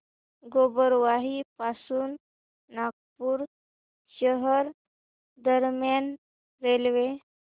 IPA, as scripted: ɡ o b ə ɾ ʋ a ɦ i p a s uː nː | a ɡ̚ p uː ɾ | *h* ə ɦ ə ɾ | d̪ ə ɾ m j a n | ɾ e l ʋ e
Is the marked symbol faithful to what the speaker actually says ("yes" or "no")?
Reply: no